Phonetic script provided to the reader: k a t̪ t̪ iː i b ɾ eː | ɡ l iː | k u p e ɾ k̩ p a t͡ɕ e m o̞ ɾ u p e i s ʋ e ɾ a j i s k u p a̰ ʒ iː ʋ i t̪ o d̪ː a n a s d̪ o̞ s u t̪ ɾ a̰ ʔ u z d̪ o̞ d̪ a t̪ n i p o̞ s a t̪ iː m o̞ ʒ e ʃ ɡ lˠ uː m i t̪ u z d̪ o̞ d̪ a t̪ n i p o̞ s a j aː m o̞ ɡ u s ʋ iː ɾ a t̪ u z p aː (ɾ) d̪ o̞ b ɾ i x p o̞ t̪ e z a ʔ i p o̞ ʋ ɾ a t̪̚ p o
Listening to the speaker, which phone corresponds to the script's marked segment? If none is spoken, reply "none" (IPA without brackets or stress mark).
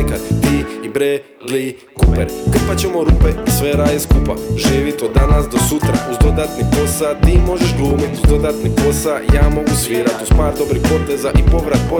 ɾ